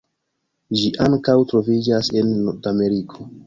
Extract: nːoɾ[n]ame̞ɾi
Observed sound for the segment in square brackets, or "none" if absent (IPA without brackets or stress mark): d